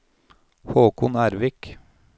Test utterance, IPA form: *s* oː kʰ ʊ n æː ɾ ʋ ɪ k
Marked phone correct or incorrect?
incorrect